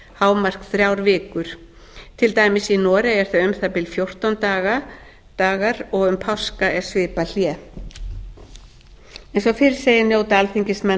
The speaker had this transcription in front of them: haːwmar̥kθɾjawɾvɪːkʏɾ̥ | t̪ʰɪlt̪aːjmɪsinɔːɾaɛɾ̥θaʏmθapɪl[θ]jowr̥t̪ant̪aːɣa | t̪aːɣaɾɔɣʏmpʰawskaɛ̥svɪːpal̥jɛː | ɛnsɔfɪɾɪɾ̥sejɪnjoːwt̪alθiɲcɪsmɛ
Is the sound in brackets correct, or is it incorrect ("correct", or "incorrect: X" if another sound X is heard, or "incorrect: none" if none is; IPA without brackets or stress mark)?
incorrect: f